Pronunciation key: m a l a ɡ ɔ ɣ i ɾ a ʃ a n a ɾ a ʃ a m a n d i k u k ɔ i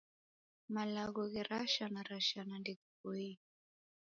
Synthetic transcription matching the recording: m a l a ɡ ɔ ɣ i ɾ a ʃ a n a ɾ a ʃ a n a n d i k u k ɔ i